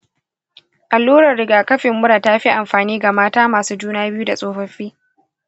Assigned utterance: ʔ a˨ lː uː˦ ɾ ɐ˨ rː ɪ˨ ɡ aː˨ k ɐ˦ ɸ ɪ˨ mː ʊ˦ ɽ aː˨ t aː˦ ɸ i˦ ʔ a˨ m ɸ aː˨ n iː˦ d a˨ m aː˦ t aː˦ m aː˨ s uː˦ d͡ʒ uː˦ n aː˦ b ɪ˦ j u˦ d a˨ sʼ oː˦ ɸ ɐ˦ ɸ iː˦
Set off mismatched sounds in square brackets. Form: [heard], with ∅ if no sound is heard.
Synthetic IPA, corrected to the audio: ʔ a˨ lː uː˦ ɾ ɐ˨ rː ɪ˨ ɡ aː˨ k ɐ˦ ɸ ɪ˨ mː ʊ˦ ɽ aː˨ t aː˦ ɸ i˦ ʔ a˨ m ɸ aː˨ n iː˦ [ɡ] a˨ m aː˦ t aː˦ m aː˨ s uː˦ d͡ʒ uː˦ n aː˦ b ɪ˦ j u˦ d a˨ sʼ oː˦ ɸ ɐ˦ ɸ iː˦

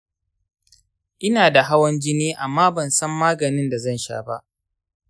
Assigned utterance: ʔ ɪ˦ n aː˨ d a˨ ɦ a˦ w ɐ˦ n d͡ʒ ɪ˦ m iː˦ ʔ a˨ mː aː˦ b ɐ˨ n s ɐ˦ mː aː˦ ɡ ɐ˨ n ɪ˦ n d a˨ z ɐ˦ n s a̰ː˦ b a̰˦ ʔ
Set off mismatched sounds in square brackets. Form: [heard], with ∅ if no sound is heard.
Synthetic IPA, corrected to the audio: ʔ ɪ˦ n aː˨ d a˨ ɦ a˦ w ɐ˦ n d͡ʒ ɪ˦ [n] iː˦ ʔ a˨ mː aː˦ b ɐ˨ n s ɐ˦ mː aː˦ ɡ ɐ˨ n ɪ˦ n d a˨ z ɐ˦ n [ʃ] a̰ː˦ b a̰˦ ʔ

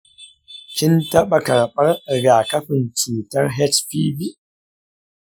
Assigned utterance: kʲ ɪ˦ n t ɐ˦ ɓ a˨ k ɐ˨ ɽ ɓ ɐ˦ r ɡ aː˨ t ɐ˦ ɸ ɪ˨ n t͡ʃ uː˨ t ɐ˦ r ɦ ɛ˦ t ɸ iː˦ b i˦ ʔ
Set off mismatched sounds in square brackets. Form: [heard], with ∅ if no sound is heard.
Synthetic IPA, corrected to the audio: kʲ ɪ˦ n t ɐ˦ ɓ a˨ k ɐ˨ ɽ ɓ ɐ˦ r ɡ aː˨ [k] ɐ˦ ɸ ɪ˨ n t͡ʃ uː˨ t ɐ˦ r ɦ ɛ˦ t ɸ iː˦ b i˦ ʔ

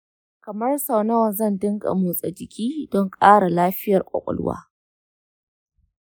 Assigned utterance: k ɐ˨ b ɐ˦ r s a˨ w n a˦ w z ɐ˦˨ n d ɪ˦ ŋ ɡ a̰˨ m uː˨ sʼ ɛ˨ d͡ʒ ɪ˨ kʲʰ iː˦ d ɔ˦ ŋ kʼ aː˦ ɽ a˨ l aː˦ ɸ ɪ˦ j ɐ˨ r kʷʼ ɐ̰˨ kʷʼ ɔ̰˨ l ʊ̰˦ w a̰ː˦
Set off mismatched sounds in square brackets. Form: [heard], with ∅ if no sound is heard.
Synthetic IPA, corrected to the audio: k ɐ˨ [m] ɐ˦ r s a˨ w n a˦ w z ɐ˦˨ n d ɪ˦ ŋ ɡ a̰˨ m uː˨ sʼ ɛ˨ d͡ʒ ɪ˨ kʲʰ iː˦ d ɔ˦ ŋ kʼ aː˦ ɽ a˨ l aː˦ ɸ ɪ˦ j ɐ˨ r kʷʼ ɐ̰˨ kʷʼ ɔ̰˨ l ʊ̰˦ w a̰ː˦

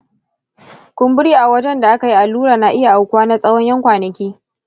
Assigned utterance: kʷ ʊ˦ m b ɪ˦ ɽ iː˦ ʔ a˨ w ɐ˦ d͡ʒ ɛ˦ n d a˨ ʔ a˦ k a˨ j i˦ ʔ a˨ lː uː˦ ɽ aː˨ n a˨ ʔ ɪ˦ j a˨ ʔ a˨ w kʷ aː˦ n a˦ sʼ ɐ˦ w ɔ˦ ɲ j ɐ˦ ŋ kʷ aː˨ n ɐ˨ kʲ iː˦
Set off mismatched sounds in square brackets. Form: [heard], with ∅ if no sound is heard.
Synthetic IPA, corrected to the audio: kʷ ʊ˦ m b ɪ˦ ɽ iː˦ ʔ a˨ w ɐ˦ d͡ʒ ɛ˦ n d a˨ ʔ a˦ k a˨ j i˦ ʔ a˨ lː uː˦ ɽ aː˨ n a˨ ʔ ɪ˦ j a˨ ʔ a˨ w kʷ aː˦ n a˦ sʼ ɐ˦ w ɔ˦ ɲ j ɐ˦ ŋ kʷ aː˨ n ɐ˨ kʲ iː˦

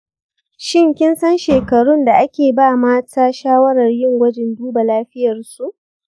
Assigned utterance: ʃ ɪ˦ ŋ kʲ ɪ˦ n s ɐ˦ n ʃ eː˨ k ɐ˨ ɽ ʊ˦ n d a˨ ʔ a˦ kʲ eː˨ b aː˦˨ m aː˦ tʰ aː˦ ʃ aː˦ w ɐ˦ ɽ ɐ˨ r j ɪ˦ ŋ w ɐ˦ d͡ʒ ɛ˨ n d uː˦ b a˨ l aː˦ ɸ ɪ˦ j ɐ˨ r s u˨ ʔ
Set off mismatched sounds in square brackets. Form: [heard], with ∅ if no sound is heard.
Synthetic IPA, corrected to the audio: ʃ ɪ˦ ŋ kʲ ɪ˦ n s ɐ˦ n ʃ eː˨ k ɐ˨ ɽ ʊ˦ n d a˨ ʔ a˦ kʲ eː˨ b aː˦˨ m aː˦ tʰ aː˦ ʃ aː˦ w ɐ˦ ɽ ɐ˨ r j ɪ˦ ŋ w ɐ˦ d͡ʒ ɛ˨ n d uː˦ b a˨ l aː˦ ɸ ɪ˦ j ɐ˨ r s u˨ ʔ

